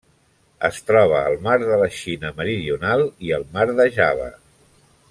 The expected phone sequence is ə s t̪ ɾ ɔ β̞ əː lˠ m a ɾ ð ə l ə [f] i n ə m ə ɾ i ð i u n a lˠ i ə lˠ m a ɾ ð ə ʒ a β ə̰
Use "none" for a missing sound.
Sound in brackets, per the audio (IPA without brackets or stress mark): ʃ